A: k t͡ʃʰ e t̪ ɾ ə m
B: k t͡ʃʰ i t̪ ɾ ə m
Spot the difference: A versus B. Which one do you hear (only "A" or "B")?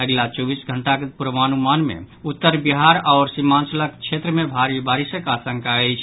A